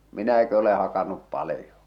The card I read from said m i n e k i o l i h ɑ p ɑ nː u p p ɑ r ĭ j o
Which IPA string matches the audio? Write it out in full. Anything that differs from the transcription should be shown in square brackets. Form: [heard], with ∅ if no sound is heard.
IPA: m i n [æ] k i o l [e] h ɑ [k] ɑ nː u p p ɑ [l] ĭ j o

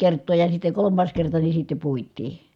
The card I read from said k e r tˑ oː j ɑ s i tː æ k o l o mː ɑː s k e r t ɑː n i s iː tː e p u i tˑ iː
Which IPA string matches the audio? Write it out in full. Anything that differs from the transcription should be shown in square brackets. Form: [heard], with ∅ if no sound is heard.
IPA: k e r tˑ oː j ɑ s i tː [e] k o l o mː ɑː s k e r t [ɑ] n i s [i] tː e p u i tˑ iː

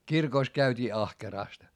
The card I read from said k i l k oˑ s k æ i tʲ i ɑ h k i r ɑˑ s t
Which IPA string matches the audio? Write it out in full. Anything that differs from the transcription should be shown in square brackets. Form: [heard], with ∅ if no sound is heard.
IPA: k i [r] k oˑ s k æ [y] tʲ [iː] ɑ h k [e] r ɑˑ s t

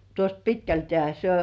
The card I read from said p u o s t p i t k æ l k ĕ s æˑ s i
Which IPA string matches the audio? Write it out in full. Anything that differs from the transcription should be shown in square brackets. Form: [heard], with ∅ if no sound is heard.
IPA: [t] u o s t p i t k æ l [t] ĕ [∅] æˑ s [e]

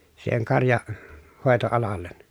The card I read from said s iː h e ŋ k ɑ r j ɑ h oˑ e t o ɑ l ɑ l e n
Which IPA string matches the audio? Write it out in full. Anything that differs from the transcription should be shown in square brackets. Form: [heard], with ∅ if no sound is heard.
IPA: s iː h e ŋ k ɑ r j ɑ h oˑ e t o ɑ l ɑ [lː] e n

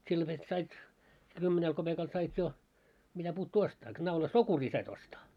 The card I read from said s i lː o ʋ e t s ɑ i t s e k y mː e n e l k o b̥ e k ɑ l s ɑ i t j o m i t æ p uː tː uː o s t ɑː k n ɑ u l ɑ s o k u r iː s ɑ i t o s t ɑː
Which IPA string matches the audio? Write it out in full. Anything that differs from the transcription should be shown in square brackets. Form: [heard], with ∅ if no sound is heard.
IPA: s i lː o ʋ e t s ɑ i t s e k y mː e n e l k o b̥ e k ɑ l s ɑ i t j o m i t æ p uː tː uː o s t ɑː k n ɑ u l ɑ s o k u r iː s ɑ i t o s t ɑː

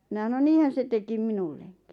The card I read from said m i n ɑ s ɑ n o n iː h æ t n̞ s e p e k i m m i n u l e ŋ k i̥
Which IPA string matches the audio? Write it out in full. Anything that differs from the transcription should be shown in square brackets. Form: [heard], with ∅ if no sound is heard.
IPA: m i n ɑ s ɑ n o n iː h æ [∅] n̞ s e [t] e k i m m i n u [lː] e ŋ k i̥

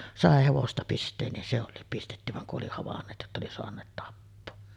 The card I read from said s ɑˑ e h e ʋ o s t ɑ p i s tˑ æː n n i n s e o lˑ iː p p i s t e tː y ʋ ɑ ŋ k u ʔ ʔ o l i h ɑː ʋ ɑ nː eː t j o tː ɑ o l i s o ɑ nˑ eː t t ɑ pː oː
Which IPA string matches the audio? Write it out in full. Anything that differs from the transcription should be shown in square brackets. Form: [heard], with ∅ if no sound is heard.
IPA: s ɑˑ e h e ʋ o s t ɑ p i s tˑ [eː] n n i n s e o lˑ iː p p i s t e tː y ʋ ɑ ŋ k u ʔ ʔ o l i h [ɑ] ʋ ɑ nː eː t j o tː ɑ o l i s o ɑ nˑ eː t t ɑ pː oː

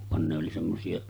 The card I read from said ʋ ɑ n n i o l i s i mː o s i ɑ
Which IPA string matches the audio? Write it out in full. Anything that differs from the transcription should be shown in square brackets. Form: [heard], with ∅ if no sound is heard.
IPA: ʋ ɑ n n [e] o l i s [e] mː o s i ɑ

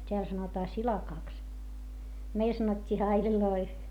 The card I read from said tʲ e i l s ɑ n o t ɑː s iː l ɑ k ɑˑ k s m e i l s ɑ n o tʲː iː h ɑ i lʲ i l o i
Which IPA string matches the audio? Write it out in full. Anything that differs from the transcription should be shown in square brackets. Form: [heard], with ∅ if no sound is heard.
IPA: tʲ e [æ] l s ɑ n o t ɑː s [i] l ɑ k ɑˑ k s m e i l s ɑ n o tʲː iː h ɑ i lʲ i l o i

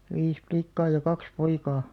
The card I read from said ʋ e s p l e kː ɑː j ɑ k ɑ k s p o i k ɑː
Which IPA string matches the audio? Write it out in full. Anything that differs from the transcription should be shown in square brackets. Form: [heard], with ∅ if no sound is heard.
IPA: ʋ [i] s p l [i] kː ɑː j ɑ k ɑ k s p o i k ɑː

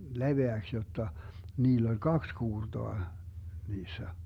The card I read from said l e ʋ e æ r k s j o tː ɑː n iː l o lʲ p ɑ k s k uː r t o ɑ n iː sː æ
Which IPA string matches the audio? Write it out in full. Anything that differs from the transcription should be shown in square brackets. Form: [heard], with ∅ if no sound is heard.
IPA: l e ʋ e æ [∅] k s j o tː [ɑ] n iː [lː] o lʲ [k] ɑ k s k uː r t o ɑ n iː sː æ

